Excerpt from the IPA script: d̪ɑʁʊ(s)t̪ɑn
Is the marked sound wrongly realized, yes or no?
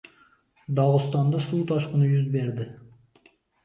no